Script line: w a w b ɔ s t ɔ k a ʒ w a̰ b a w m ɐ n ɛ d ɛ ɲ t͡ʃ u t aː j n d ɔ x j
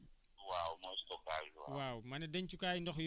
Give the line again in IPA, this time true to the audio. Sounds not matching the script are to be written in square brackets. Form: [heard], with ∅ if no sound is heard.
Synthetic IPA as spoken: w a w [m] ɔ s t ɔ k a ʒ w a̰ [w] a w m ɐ n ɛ d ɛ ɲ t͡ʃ u [k] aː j n d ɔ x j